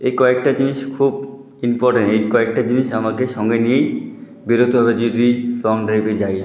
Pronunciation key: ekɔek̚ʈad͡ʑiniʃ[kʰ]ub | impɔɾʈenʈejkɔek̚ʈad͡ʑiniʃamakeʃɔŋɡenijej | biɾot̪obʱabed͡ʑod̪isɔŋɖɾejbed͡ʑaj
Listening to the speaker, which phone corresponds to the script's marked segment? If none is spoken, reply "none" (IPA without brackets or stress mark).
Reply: kʰ